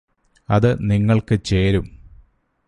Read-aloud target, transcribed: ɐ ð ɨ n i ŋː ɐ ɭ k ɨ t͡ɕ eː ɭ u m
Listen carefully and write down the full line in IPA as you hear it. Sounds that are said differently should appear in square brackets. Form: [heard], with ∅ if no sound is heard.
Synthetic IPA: ɐ ð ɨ n i ŋː ɐ ɭ k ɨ t͡ɕ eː [ɾ] u m